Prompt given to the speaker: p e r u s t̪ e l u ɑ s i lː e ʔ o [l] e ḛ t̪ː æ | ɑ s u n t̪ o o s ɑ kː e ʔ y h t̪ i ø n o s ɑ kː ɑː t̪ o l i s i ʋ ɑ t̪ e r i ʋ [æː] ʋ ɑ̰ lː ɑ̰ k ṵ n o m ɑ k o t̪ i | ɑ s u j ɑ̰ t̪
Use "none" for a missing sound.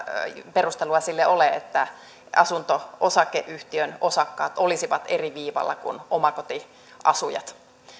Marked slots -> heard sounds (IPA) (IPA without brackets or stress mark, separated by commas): l, iː